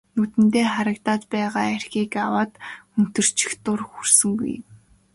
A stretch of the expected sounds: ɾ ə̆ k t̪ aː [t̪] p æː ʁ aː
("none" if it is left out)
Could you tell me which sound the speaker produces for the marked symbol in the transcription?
t̪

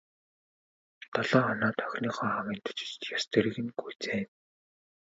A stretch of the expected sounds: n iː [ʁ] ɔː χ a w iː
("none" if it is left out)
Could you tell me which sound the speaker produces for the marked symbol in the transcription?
χ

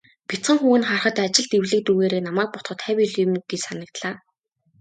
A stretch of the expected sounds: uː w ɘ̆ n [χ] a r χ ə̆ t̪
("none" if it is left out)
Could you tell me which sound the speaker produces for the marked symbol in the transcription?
χ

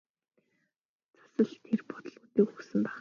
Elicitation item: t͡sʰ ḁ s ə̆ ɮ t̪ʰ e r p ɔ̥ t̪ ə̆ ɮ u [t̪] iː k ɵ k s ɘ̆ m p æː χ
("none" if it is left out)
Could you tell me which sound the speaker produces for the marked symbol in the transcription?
t̪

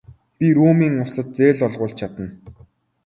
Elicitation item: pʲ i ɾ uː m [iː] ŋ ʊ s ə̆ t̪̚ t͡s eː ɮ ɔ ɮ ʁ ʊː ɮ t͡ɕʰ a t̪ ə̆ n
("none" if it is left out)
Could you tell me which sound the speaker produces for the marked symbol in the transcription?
iː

